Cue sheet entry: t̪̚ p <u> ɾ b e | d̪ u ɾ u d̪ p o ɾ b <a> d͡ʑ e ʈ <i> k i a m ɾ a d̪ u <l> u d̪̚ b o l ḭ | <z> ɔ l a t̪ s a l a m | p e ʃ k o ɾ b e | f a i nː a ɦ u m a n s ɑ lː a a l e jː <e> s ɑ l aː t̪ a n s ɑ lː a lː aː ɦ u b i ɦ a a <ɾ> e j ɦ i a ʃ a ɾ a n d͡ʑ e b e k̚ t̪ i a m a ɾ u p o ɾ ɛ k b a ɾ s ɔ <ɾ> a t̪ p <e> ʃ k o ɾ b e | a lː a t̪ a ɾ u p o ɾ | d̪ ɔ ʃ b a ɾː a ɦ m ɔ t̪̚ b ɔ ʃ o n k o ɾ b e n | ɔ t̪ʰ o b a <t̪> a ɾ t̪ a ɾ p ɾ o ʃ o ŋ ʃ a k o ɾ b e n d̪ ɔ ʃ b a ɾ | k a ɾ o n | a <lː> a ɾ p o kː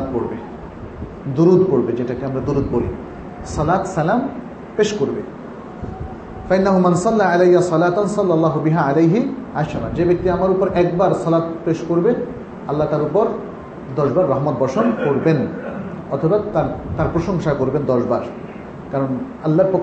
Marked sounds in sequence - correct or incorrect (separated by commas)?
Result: incorrect, incorrect, incorrect, incorrect, incorrect, incorrect, incorrect, incorrect, correct, correct, correct